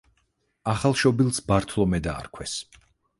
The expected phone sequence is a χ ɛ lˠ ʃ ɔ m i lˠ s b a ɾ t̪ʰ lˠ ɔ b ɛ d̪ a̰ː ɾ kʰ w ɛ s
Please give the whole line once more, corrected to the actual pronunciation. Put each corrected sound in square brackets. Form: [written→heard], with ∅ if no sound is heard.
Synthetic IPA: a χ [ɛ→a] lˠ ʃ ɔ [m→b] i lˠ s b a ɾ t̪ʰ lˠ ɔ [b→m] ɛ d̪ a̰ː ɾ kʰ w ɛ s